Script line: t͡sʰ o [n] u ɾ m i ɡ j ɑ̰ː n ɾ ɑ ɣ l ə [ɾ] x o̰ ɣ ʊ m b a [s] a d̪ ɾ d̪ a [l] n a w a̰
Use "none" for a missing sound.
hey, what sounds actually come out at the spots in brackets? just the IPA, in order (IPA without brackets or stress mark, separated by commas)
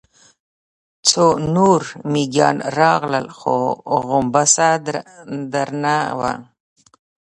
n, l, s, ɾ